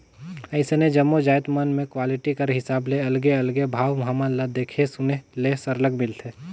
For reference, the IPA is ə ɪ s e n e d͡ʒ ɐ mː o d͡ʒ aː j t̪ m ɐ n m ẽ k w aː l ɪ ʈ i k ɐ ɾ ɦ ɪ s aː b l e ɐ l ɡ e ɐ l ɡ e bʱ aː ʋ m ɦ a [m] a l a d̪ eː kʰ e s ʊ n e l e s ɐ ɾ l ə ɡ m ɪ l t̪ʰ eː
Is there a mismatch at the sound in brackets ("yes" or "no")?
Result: no